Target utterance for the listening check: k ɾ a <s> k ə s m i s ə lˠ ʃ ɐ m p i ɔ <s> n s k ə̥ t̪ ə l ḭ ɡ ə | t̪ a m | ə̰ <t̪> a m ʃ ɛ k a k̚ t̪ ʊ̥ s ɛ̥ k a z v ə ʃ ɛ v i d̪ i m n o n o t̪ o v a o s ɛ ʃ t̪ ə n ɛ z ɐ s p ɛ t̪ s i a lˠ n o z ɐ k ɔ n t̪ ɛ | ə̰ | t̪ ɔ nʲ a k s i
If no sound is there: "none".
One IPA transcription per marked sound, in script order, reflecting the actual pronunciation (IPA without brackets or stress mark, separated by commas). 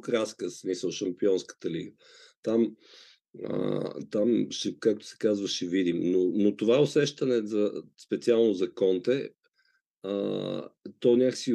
s, none, t̪